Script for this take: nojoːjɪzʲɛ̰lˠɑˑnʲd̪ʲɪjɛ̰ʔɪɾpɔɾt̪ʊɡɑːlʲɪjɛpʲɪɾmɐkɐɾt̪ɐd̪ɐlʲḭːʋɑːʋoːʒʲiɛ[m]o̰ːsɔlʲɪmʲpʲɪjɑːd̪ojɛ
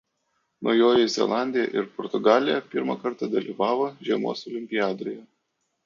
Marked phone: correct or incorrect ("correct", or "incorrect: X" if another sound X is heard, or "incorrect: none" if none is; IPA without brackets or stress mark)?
correct